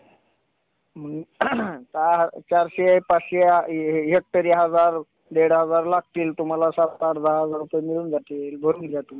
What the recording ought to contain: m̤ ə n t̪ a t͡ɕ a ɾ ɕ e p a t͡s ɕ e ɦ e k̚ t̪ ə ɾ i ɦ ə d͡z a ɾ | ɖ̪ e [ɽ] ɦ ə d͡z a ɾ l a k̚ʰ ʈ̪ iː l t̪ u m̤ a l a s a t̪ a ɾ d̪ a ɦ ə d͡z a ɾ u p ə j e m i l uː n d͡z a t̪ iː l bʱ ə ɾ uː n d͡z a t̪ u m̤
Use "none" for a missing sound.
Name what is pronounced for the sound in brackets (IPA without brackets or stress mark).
ɽ